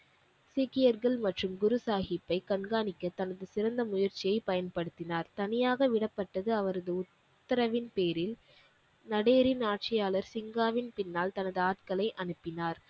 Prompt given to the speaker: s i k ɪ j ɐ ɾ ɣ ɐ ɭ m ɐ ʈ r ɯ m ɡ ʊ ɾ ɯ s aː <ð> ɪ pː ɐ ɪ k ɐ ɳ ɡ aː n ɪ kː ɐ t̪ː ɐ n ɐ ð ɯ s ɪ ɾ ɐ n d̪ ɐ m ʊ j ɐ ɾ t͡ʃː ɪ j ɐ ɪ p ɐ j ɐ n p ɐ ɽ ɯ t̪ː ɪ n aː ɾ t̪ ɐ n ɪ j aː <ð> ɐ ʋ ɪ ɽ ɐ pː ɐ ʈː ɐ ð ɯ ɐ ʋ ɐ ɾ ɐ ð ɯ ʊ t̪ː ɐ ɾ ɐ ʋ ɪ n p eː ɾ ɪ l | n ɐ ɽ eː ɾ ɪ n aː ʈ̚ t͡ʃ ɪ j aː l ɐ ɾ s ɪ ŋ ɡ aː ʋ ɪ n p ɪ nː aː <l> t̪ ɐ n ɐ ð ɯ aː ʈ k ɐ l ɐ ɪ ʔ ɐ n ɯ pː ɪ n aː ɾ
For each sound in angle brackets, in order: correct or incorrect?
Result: incorrect, incorrect, correct

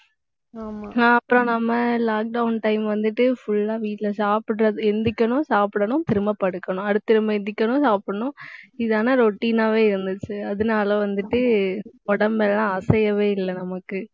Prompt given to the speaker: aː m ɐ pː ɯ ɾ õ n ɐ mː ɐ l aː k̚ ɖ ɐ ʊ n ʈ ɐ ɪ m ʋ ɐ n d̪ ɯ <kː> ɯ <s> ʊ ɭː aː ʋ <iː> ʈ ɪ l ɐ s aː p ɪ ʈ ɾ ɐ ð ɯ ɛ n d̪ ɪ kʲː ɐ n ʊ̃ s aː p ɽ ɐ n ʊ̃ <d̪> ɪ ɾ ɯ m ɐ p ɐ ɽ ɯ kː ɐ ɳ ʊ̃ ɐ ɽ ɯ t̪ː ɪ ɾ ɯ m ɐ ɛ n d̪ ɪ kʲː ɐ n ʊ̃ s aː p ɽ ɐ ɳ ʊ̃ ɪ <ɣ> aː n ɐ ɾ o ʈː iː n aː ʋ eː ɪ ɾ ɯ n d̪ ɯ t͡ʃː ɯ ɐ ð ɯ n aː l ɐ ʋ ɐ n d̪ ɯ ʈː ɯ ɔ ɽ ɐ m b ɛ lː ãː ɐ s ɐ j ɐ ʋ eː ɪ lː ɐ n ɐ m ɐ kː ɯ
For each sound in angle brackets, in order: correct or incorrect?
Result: incorrect, incorrect, correct, incorrect, incorrect

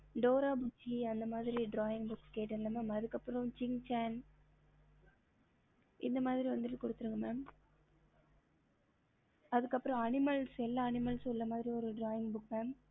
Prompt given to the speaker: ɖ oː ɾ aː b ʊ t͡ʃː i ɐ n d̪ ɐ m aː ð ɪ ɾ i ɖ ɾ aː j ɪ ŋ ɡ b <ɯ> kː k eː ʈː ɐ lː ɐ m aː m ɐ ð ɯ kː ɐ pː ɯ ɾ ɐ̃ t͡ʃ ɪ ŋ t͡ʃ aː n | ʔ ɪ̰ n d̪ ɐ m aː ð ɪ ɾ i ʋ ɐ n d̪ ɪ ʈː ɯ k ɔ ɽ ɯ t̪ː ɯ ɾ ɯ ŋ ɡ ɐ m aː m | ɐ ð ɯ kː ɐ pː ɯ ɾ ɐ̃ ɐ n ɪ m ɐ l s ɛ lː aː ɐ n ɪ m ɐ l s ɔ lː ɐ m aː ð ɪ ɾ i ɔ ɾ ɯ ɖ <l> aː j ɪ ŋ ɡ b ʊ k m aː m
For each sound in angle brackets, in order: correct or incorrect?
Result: incorrect, incorrect

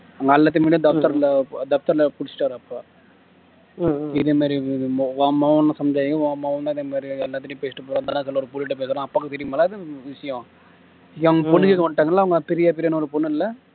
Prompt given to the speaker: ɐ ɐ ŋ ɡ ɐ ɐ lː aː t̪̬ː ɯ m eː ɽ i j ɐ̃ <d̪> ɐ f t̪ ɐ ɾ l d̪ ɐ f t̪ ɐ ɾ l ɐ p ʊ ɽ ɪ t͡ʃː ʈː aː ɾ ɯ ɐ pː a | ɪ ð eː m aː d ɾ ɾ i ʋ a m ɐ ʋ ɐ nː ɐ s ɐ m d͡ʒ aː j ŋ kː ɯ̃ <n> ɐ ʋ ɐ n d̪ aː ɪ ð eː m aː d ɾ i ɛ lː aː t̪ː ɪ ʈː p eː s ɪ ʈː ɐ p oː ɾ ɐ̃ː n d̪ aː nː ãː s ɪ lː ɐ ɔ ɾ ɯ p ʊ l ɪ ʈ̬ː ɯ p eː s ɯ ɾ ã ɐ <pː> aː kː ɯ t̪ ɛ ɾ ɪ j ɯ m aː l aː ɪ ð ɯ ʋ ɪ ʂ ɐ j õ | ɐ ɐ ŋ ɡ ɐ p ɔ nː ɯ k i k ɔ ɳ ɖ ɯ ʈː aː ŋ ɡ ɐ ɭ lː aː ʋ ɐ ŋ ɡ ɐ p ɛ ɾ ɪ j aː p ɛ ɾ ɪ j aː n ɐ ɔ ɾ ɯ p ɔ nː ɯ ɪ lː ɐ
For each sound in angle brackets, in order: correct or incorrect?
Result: correct, incorrect, correct

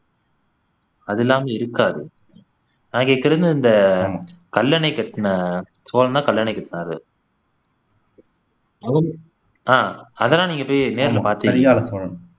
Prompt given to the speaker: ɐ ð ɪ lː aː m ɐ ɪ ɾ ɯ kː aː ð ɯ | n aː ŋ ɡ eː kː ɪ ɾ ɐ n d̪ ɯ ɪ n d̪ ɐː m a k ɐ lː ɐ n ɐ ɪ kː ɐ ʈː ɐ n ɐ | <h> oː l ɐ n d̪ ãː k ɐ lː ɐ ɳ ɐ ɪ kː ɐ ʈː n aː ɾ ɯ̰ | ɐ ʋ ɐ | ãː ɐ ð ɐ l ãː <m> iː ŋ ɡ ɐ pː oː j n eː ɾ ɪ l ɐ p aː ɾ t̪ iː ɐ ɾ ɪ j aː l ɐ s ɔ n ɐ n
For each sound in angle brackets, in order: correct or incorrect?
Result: incorrect, incorrect

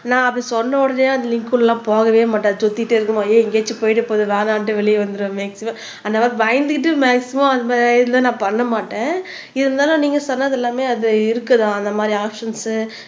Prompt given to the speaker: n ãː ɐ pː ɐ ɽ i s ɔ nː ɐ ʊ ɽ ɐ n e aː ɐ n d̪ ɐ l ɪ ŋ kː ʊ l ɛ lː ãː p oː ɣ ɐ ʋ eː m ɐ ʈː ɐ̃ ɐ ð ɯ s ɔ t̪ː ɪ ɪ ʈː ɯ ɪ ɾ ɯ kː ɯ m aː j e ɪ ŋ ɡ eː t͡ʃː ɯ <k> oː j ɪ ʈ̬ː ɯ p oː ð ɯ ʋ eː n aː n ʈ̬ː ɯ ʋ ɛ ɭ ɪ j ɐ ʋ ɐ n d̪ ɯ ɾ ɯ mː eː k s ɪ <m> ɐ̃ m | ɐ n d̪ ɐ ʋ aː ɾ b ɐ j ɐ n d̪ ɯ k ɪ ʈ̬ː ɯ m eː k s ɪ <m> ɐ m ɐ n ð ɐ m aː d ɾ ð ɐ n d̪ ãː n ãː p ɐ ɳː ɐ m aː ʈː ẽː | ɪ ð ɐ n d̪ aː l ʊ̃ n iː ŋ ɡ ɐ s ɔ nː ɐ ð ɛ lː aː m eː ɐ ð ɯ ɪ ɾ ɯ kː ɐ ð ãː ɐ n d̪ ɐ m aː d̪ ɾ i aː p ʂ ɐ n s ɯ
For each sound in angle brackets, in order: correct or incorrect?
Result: incorrect, correct, correct

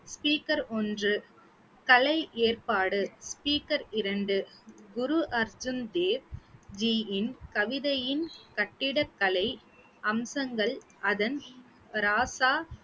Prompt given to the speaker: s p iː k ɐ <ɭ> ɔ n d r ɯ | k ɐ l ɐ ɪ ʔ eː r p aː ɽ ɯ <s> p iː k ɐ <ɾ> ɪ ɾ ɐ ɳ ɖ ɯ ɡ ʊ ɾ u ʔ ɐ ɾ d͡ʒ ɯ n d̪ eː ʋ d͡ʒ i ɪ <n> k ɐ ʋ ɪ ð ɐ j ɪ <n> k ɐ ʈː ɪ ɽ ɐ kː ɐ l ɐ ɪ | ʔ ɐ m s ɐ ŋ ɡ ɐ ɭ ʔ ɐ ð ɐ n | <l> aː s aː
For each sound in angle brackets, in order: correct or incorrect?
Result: incorrect, correct, correct, correct, correct, incorrect

